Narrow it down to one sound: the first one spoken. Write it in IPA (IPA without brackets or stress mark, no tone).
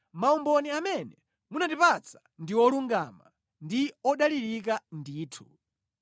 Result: m